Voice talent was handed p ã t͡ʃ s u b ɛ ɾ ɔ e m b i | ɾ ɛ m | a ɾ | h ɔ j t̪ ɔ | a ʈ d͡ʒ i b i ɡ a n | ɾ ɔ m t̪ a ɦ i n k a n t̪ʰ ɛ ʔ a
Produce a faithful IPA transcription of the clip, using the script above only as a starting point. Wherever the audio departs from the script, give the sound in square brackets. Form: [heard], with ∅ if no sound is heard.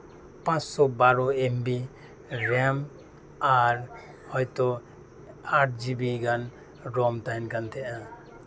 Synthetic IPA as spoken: p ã t͡ʃ s [ɔ] b [a] ɾ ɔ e m b i | ɾ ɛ m | a ɾ | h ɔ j t̪ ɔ | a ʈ d͡ʒ i b i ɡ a n | ɾ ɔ m t̪ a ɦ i n k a n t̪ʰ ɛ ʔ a

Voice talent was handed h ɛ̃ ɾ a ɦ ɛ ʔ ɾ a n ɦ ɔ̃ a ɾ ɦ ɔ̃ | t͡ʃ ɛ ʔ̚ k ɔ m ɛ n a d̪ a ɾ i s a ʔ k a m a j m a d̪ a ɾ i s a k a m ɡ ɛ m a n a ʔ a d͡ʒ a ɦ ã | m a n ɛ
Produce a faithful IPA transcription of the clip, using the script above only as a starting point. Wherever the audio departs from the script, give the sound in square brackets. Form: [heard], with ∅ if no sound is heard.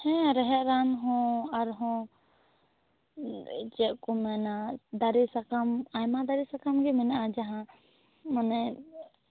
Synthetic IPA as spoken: h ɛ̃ ɾ [ɛ] ɦ ɛ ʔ ɾ a n ɦ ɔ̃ a ɾ ɦ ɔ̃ | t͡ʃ ɛ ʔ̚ k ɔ m ɛ n a d̪ a ɾ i s a [∅] k a m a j m a d̪ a ɾ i s a k a m ɡ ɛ m [ɛ] n a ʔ a d͡ʒ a ɦ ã | m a n ɛ

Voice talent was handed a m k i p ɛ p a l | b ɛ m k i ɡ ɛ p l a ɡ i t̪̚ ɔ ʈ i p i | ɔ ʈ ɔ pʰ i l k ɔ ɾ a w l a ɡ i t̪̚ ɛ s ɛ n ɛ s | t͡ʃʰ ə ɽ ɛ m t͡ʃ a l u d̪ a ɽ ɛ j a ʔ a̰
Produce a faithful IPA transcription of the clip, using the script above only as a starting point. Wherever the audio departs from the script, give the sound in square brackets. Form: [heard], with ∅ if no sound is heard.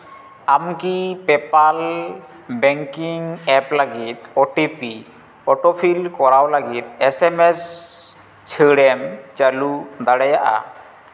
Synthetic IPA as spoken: a m k i p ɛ p a l | b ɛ [ŋ] k i [ŋ] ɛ p l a ɡ i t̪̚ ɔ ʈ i p i | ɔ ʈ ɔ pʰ i l k ɔ ɾ a w l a ɡ i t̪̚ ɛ s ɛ [m] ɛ s | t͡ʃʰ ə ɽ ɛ m t͡ʃ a l u d̪ a ɽ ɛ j a ʔ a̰

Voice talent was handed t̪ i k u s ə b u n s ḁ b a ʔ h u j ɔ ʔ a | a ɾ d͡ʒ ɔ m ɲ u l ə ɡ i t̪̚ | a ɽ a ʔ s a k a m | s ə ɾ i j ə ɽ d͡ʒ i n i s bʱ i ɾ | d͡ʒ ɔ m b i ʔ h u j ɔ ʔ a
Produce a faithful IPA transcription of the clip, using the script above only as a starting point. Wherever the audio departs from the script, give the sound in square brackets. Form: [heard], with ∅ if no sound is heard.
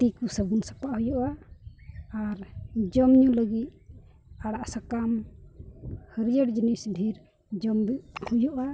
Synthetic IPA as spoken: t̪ i k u s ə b u n s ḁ [p] a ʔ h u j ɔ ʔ a | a ɾ d͡ʒ ɔ m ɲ u l ə ɡ i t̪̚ | a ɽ a ʔ s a k a m | [h] ə ɾ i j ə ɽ d͡ʒ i n i s bʱ i ɾ | d͡ʒ ɔ m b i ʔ h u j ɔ ʔ a

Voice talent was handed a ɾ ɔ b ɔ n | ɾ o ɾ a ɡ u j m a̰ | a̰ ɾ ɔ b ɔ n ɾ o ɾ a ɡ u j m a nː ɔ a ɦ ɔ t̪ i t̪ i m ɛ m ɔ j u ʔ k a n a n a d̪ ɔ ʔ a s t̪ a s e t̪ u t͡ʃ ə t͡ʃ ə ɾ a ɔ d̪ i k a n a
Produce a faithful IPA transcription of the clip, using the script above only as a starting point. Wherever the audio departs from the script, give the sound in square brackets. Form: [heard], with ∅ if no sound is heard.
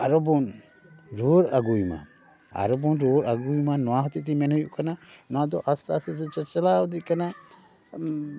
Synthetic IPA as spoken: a ɾ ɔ b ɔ n | ɾ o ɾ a ɡ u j m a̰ | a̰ ɾ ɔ b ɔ n ɾ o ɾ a ɡ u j m a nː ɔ a ɦ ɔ t̪ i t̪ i m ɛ [n] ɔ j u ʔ k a n a n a d̪ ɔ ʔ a s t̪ a s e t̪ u t͡ʃ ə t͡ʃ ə [l] a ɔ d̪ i k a n a

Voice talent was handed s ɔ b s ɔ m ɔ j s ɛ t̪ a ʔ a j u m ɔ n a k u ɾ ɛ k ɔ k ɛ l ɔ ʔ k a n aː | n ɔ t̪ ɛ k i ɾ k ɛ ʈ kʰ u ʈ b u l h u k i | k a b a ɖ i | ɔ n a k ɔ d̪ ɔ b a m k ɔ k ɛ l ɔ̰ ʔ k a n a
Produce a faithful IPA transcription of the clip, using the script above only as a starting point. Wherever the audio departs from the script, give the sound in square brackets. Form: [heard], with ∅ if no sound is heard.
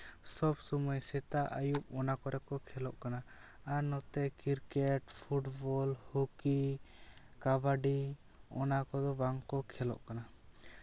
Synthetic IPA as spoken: s ɔ b s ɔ m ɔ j s ɛ t̪ a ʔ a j u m ɔ n a k [ɔ] ɾ ɛ k ɔ [kʰ] ɛ l ɔ ʔ k a n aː | n ɔ t̪ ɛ k i ɾ k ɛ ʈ [pʰ] u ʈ b [ɔ] l h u k i | k a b a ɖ i | ɔ n a k ɔ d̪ ɔ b a [ŋ] k ɔ [kʰ] ɛ l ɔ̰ ʔ k a n a

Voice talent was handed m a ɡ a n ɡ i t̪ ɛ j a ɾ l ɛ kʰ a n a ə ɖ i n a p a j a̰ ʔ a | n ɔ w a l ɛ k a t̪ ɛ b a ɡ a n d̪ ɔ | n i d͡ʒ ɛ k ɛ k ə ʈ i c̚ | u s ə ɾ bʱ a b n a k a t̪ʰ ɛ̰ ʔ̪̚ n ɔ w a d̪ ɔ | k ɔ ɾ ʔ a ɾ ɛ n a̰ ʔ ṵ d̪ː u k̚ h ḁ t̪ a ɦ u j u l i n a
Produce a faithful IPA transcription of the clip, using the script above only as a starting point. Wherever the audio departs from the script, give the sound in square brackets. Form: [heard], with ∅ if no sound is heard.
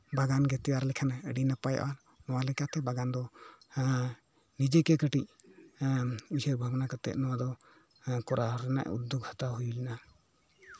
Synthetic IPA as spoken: [b] a ɡ a n ɡ [ɛ] t̪ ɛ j a ɾ l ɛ kʰ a n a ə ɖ i n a p a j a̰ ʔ a | n ɔ w a l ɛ k a t̪ ɛ b a ɡ a n d̪ ɔ | n i d͡ʒ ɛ k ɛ k ə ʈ i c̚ | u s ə ɾ bʱ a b n a k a [t̪] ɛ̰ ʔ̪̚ n ɔ w a d̪ ɔ | k ɔ ɾ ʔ a ɾ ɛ n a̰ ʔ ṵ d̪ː u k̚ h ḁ t̪ a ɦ u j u l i n a

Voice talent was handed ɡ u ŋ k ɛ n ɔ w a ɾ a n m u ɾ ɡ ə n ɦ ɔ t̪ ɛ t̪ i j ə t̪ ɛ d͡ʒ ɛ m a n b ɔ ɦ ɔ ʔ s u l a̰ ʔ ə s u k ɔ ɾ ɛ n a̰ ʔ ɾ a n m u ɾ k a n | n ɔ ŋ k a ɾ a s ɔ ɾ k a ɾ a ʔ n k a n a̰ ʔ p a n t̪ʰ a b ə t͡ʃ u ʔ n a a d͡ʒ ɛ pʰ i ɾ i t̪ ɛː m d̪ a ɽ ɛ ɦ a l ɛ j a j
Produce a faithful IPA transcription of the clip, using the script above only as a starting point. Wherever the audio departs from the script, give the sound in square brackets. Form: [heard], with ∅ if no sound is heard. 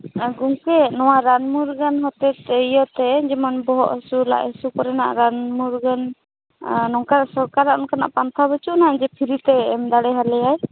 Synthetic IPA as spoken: ɡ u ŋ k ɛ n ɔ w a ɾ a n m u ɾ ɡ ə n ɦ ɔ t̪ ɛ t̪ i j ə t̪ ɛ d͡ʒ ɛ m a n b ɔ ɦ ɔ ʔ s u l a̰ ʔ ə s u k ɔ ɾ ɛ n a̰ ʔ ɾ a n m u ɾ [ɡ] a n | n ɔ ŋ k a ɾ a s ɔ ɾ k a ɾ a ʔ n k a n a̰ ʔ p a n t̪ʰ a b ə t͡ʃ u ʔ n a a d͡ʒ ɛ pʰ i ɾ i t̪ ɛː m d̪ a ɽ ɛ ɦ a l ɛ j a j

